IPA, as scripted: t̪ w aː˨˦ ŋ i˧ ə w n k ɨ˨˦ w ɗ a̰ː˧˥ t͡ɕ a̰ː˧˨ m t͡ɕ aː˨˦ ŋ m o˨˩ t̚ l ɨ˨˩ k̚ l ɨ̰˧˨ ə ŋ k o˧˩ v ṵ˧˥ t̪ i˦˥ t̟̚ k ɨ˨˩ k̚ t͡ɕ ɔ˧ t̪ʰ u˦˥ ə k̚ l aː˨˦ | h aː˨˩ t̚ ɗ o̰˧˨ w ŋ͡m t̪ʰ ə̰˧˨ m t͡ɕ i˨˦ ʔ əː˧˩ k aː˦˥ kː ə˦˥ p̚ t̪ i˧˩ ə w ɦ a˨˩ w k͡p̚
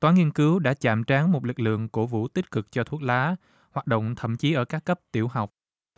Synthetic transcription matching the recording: t̪ w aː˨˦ ŋ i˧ ə n k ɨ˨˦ w ɗ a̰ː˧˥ t͡ɕ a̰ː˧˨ m t͡ɕ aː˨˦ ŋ m o˨˩ t̚ l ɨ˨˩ k̚ l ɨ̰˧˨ ə ŋ k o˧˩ v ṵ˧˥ t̪ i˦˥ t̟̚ k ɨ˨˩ k̚ t͡ɕ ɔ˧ t̪ʰ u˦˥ ə k̚ l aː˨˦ | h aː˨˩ t̚ ɗ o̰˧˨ w ŋ͡m t̪ʰ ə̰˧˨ m t͡ɕ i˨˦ ʔ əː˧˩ k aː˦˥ kː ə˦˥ p̚ t̪ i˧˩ ə w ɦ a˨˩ w k͡p̚

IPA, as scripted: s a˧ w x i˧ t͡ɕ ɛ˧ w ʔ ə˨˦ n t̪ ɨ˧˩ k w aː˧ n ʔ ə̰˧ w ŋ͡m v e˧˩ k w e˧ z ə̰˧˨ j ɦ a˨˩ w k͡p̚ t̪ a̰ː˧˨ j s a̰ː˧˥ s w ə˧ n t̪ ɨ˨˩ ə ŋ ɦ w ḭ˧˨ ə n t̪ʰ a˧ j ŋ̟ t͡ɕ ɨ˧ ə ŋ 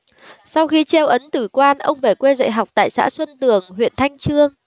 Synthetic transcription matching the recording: s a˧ w x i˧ t͡ɕ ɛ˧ w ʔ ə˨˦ n t̪ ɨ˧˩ k w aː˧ n ʔ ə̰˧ w ŋ͡m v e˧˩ k w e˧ z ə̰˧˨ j ɦ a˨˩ w k͡p̚ t̪ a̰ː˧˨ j s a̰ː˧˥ s w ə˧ n t̪ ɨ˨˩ ə ŋ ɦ w ḭ˧˨ ə n t̪ʰ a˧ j ŋ̟ t͡ɕ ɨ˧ ə ŋ

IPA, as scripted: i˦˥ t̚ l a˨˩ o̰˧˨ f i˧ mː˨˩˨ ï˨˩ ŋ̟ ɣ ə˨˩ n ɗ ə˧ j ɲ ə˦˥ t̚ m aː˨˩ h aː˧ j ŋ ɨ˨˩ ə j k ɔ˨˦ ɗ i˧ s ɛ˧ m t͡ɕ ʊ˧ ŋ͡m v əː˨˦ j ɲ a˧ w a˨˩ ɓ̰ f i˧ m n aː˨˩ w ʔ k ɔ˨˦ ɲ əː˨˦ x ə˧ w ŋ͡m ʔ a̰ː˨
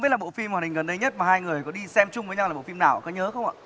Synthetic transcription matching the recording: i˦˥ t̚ l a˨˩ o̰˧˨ f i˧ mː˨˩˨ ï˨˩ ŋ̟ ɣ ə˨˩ n ɗ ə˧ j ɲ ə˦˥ t̚ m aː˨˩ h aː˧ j ŋ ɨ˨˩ ə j k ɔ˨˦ ɗ i˧ s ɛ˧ m t͡ɕ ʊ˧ ŋ͡m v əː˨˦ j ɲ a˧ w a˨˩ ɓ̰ f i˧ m n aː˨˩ w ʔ k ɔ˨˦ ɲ əː˨˦ x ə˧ w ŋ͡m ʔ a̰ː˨

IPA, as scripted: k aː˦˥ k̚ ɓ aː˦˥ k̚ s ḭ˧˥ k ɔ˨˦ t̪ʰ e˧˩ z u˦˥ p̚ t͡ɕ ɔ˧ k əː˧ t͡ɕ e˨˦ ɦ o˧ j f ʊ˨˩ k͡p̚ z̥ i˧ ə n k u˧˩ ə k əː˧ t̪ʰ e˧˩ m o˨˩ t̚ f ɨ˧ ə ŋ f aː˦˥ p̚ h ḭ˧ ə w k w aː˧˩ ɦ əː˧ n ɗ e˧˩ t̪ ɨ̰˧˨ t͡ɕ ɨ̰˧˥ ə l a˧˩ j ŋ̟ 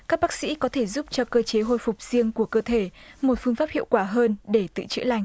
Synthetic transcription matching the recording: k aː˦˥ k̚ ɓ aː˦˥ k̚ s ḭ˧˥ k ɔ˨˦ t̪ʰ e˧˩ z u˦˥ p̚ t͡ɕ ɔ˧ k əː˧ t͡ɕ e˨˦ ɦ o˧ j f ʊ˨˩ k͡p̚ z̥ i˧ ə ŋ k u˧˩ ə k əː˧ t̪ʰ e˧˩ m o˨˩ t̚ f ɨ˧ ə ŋ f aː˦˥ p̚ h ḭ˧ ə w k w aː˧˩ ɦ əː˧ n ɗ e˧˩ t̪ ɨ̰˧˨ t͡ɕ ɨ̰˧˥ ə l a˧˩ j ŋ̟

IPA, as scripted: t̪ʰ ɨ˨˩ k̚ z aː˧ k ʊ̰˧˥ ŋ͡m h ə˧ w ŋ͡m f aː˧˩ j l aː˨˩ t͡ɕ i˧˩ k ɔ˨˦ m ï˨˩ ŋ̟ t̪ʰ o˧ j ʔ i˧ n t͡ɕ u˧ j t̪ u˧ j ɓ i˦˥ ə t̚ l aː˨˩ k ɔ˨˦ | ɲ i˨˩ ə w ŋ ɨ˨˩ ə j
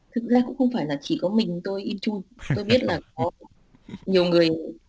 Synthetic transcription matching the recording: t̪ʰ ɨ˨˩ k̚ z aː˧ k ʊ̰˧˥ ŋ͡m x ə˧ w ŋ͡m f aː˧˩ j l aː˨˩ t͡ɕ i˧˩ k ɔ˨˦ m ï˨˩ ŋ̟ t̪ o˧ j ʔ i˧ n t͡ɕ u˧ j t̪ o˧ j ɓ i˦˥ ə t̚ l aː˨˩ k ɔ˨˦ | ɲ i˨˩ ə w ŋ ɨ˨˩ ə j

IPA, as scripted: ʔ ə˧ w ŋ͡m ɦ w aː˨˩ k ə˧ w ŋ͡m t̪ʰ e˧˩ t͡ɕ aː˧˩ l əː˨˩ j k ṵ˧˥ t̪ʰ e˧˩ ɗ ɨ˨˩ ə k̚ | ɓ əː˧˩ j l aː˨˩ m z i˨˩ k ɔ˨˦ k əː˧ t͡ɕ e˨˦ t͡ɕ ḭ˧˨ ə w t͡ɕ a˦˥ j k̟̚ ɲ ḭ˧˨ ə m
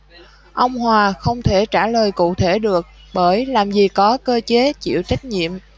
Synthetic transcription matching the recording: ʔ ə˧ w ŋ͡m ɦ w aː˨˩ x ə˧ w ŋ͡m t̪ʰ e˧˩ t͡ɕ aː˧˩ l əː˨˩ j k ṵ˧˨ t̪ʰ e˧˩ ɗ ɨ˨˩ ə k̚ | ɓ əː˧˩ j l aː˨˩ m z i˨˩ k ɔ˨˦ k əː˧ t͡ɕ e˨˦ t͡ɕ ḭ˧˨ ə w t͡ɕ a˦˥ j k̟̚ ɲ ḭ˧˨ ə m

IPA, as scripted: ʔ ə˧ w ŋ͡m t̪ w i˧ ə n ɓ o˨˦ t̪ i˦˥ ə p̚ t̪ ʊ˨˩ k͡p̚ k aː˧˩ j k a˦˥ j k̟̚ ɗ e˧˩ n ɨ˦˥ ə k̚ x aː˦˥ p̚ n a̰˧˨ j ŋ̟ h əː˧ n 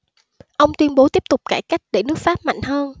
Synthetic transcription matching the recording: ʔ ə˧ w ŋ͡m t̪ w i˧ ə n ɓ o˨˦ t̪ i˦˥ ə p̚ t̪ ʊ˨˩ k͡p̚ k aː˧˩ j k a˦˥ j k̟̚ ɗ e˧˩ n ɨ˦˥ ə k̚ f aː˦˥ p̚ m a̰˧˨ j ŋ̟ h əː˧ n

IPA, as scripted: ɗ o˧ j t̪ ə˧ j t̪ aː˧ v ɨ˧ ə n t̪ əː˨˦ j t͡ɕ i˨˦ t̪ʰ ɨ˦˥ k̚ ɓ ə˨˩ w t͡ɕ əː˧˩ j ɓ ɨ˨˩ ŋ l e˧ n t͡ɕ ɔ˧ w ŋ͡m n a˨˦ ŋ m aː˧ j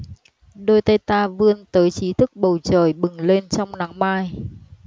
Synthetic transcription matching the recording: ɗ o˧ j t̪ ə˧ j t̪ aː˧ v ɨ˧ ə n t̪ əː˨˦ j t͡ɕ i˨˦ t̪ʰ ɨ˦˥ k̚ ɓ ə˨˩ w t͡ɕ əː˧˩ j ɓ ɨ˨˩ ŋ l e˧ n t͡ɕ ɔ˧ w ŋ͡m n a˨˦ ŋ m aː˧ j

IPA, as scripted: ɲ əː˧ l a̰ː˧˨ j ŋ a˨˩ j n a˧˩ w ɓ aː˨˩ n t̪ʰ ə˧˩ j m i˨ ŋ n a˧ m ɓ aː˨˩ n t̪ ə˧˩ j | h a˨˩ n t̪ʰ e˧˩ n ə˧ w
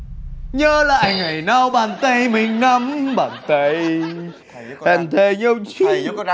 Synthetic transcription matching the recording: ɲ əː˧ l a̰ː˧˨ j ŋ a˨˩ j n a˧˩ w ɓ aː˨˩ n t̪ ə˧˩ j m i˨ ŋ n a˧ m ɓ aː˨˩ n t̪ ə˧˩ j | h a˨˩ n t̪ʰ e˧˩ ɲ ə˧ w

